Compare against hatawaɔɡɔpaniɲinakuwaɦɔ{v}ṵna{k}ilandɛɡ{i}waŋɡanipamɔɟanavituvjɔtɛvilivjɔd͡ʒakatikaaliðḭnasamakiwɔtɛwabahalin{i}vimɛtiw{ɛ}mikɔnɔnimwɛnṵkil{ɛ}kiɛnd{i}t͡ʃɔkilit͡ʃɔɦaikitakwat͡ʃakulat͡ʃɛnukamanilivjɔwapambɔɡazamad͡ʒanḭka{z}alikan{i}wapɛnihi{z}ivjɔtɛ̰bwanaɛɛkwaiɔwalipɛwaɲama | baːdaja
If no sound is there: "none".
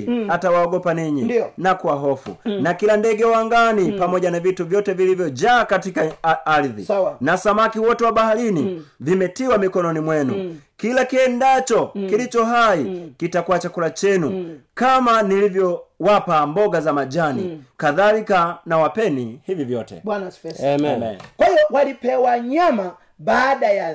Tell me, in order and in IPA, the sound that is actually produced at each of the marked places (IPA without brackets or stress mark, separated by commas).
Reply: f, k, ɛ, i, a, a, a, ð, a, v